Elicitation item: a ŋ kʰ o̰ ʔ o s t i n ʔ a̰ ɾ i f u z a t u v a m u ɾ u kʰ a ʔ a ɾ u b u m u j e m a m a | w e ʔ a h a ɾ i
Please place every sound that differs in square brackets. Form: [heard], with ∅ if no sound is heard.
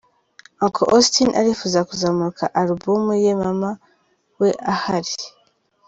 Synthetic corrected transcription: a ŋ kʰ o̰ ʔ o s t i n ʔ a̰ ɾ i f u z a [k] u [z] a m u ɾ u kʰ a ʔ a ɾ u b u m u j e m a m a | w e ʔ a h a ɾ i